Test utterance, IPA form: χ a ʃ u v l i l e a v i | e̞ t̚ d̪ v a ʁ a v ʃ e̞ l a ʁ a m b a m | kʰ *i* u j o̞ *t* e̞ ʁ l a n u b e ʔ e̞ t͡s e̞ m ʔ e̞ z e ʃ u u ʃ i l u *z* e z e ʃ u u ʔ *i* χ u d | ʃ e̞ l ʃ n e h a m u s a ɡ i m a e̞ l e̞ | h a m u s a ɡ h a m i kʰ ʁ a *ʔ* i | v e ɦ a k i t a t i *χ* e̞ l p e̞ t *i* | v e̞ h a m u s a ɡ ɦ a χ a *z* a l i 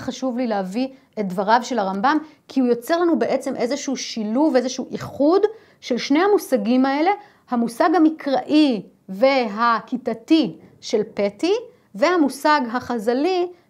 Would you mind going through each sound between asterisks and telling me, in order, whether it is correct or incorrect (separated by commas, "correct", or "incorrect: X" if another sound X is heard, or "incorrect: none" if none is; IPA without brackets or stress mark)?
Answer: correct, incorrect: t͡s, incorrect: v, correct, correct, incorrect: ʃ, correct, correct